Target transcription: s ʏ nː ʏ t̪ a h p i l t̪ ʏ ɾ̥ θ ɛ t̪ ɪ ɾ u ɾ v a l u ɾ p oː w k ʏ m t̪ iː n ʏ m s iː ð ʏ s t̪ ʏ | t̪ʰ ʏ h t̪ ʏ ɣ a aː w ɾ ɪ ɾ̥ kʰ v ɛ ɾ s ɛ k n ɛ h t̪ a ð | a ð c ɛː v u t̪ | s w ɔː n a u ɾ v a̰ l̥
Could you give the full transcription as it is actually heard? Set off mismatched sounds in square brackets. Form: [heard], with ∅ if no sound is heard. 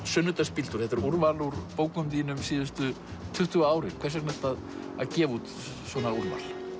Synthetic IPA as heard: s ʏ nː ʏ t̪ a [s] p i l t̪ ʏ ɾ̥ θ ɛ t̪ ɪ ɾ u ɾ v a l u ɾ p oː w k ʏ m t̪ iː n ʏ m s iː ð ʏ s t̪ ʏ | t̪ʰ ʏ h t̪ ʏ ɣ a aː w ɾ ɪ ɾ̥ kʰ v ɛ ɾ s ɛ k n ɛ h t̪ a ð | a ð c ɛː v u t̪ | s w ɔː n a u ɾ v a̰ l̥